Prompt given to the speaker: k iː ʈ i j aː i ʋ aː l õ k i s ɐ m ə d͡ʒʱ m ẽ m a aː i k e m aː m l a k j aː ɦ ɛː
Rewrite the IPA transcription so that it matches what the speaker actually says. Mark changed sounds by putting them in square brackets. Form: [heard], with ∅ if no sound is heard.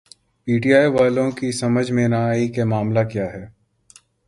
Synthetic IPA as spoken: [p] iː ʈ i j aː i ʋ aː l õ k i s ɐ m ə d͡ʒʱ m ẽ [n] a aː i k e m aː m l a k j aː ɦ ɛː